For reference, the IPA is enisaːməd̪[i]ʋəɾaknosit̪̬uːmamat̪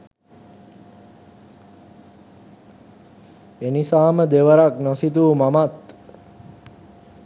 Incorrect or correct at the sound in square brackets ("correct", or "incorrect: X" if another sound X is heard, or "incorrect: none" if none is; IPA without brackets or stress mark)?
incorrect: e